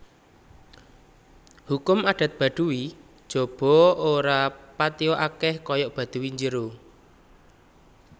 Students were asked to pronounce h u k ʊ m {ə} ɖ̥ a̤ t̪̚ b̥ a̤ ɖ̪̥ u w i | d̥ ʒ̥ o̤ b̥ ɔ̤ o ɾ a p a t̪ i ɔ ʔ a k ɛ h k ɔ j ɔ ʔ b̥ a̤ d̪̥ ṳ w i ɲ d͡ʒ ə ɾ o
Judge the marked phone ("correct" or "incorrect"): incorrect